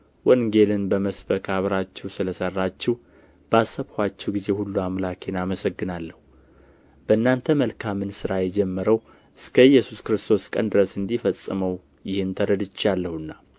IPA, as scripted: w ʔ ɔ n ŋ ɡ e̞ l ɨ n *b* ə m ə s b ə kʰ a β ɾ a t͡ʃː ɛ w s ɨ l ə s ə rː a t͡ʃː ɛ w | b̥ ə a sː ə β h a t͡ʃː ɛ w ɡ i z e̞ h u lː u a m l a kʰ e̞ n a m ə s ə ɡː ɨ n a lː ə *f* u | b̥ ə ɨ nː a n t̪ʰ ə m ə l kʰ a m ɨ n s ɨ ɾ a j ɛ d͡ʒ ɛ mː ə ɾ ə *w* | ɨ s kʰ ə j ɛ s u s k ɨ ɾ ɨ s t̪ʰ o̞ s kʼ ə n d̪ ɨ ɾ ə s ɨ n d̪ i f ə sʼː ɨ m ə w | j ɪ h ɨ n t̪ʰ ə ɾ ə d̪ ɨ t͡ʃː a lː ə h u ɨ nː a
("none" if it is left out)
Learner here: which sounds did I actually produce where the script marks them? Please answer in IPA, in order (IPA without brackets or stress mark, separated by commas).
b, h, w